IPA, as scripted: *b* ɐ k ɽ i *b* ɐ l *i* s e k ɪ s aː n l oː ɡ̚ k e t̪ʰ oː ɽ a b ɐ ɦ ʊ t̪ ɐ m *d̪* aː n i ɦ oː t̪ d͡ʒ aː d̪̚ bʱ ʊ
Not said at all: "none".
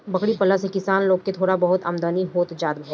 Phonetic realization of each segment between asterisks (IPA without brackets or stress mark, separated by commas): b, p, a, d̪